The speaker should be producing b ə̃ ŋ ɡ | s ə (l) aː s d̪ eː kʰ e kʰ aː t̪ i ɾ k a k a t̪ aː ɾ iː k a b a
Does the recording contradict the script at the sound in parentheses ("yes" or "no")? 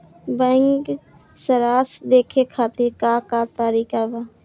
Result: yes